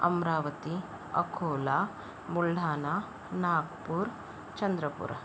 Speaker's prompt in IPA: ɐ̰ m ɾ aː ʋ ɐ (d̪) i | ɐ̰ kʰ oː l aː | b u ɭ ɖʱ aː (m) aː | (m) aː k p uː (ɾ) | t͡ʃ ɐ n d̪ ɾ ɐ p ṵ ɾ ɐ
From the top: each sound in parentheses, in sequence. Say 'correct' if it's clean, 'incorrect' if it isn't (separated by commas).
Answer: incorrect, incorrect, incorrect, correct